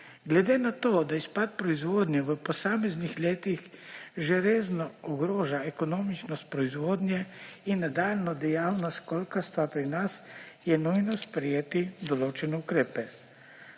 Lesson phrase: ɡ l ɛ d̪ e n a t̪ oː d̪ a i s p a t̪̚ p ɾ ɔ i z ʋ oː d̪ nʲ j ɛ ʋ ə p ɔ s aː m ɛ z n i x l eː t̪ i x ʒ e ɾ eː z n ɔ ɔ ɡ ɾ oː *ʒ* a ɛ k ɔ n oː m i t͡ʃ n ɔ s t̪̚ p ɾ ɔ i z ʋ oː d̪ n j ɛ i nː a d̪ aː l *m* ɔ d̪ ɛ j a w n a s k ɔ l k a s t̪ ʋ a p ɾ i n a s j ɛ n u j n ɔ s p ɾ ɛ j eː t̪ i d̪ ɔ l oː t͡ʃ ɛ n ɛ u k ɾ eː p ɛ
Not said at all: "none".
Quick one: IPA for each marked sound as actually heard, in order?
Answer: ʒ, n

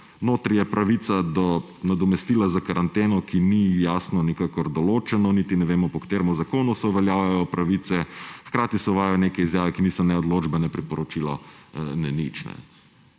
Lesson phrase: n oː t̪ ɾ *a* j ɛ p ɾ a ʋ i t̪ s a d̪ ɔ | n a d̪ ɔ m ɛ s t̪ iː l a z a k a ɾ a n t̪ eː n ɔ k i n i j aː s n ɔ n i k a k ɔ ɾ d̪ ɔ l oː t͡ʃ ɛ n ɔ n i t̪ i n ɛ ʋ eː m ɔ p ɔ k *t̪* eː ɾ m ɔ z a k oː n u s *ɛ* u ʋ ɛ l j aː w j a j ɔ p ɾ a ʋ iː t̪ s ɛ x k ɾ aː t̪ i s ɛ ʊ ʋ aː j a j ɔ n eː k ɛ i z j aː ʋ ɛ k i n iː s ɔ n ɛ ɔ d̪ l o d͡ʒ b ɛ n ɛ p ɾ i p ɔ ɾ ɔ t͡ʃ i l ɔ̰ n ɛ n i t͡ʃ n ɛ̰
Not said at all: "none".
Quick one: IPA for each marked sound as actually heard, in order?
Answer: i, t̪, ɛ

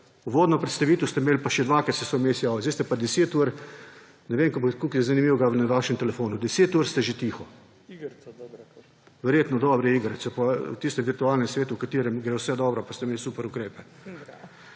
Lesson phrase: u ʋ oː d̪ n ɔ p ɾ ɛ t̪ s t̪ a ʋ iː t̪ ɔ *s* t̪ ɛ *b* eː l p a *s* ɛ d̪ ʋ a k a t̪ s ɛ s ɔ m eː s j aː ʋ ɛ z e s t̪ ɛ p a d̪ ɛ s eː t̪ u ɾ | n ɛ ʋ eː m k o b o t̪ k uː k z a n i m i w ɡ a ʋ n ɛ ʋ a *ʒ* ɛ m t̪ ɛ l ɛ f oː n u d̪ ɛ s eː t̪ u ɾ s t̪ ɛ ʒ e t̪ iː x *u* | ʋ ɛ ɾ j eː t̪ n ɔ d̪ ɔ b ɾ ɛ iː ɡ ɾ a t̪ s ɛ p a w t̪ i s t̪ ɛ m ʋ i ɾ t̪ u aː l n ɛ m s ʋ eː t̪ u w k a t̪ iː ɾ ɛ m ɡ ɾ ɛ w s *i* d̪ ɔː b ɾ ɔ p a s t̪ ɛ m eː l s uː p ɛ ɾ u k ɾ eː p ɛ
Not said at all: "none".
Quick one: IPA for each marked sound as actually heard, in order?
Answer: s, m, ʃ, ʃ, ɔ, ɛ

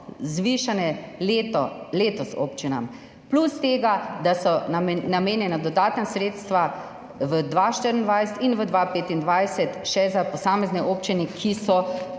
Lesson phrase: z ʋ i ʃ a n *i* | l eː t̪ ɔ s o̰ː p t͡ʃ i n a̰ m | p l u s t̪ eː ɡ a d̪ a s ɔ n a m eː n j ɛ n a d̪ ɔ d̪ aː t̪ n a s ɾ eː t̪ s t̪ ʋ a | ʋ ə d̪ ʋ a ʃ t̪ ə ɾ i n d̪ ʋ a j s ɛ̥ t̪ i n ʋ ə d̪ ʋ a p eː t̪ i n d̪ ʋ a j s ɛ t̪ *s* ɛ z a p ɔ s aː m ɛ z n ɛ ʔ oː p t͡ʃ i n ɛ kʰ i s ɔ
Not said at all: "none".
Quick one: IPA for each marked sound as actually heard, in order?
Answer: ɛ, ʃ

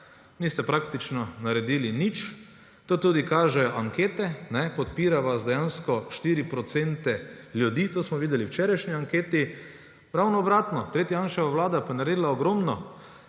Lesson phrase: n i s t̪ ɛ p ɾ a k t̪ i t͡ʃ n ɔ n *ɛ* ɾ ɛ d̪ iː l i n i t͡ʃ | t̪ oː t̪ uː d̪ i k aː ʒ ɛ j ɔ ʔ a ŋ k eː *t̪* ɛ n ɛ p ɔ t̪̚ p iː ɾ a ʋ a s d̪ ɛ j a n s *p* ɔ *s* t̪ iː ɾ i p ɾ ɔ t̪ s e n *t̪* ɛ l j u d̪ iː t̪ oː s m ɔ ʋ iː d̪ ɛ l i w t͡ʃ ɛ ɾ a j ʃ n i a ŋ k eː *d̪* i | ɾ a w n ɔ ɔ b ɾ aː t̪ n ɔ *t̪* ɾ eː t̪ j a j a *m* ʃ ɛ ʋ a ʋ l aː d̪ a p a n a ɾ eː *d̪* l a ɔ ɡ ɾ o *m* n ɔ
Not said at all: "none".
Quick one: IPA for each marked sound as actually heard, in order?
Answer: a, t̪, k, ʃ, t̪, t̪, t̪, n, d̪, m

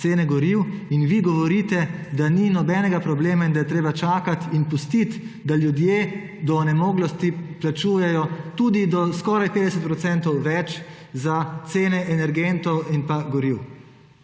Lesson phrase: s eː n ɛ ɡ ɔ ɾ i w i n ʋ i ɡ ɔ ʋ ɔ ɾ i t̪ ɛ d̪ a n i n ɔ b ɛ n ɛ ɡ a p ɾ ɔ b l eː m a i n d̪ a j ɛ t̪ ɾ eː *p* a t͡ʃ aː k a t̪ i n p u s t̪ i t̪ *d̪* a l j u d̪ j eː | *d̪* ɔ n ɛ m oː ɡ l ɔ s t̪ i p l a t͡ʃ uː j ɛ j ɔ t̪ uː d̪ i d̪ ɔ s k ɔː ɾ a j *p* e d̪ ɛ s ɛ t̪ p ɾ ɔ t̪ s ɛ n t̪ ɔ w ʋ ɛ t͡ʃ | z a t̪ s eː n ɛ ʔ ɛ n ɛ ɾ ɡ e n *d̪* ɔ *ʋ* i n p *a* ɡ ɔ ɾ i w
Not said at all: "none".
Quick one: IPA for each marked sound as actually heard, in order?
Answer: b, d̪, d̪, p, t̪, w, a

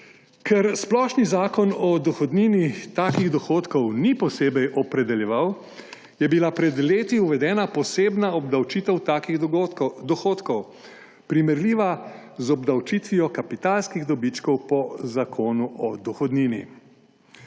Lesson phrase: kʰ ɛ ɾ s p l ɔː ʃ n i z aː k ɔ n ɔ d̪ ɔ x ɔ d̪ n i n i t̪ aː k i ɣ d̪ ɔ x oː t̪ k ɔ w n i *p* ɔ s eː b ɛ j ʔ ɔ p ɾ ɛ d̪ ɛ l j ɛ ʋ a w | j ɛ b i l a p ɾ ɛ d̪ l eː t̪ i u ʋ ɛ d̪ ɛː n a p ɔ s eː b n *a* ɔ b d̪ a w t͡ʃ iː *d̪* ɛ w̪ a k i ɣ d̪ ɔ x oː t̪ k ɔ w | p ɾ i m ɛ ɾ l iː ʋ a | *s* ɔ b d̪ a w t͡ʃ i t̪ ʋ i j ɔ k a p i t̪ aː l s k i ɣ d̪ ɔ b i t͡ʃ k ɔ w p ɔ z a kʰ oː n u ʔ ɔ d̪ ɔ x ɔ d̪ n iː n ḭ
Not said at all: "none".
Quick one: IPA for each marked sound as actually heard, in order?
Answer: p, a, t̪, z

